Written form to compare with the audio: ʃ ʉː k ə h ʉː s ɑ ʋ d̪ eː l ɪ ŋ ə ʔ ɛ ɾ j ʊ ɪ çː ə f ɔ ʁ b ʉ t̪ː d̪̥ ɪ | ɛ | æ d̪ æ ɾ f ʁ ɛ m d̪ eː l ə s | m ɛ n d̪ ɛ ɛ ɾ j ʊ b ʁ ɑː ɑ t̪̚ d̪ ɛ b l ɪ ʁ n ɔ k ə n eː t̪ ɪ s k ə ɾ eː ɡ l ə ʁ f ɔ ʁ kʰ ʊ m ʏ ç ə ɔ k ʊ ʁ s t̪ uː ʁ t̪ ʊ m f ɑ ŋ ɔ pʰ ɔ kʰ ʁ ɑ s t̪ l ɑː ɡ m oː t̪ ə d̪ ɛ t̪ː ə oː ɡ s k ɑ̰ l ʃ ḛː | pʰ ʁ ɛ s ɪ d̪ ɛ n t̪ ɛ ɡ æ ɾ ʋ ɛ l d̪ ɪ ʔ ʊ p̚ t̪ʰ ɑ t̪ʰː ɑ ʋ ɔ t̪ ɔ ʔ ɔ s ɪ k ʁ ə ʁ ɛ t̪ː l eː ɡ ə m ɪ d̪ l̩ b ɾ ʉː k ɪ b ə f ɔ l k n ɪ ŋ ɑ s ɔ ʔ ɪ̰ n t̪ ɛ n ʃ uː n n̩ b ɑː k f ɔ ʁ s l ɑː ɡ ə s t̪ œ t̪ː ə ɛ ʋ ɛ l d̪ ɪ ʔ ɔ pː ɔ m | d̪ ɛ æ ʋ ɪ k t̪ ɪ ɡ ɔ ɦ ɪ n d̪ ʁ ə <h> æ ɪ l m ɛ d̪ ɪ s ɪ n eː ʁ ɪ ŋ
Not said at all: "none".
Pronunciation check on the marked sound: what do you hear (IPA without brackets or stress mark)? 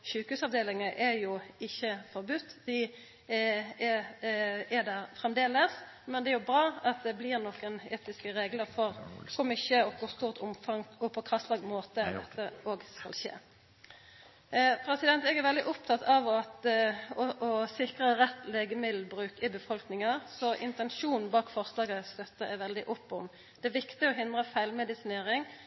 f